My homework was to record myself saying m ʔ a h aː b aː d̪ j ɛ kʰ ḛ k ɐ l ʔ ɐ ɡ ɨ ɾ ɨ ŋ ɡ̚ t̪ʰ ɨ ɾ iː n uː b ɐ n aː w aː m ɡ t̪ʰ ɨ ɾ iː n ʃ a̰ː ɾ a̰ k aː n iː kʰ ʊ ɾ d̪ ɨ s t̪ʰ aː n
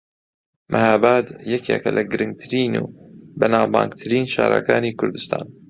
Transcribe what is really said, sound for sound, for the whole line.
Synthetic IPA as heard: m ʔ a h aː b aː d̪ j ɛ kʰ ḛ k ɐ l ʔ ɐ ɡ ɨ ɾ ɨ ŋ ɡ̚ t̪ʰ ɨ ɾ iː n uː b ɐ n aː b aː ŋ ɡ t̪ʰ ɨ ɾ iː n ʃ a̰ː ɾ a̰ k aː n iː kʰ ʊ ɾ d̪ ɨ s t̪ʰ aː n